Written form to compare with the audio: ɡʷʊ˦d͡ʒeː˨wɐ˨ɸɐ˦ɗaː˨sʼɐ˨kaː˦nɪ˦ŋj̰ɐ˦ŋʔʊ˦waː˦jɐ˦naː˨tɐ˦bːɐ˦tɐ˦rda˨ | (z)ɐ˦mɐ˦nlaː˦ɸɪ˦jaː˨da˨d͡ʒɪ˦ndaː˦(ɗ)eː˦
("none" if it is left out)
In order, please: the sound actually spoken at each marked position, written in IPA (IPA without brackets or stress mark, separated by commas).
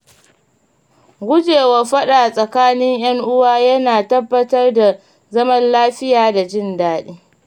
z, ɗ